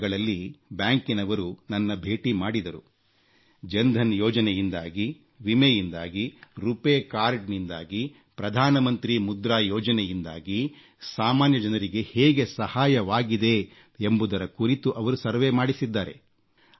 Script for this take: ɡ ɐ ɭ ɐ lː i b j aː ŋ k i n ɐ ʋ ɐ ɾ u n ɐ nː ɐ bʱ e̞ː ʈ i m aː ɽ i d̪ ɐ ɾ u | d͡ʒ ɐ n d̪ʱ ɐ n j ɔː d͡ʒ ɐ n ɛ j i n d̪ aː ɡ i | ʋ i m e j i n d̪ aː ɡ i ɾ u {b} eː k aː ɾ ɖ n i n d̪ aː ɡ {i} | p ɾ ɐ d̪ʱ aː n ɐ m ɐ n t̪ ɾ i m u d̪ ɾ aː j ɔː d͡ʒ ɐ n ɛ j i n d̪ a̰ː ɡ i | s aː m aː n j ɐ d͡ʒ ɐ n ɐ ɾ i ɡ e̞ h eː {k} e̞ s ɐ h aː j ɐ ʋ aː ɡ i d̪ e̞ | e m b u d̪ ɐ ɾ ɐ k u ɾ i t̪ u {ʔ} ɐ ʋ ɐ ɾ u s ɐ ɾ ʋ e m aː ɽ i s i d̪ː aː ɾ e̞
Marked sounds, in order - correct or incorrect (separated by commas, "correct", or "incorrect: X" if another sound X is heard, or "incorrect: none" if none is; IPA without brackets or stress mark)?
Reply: incorrect: p, correct, incorrect: ɡ, correct